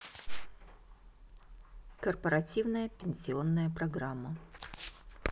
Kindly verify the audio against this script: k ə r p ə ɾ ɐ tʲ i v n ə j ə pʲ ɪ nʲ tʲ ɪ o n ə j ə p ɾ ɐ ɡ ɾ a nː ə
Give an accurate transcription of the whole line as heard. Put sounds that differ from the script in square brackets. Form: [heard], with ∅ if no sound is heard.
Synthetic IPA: k ə r p ə ɾ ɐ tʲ i v n ə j ə pʲ ɪ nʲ [sʲ] ɪ o [nː] ə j ə p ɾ ɐ ɡ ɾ a [mː] ə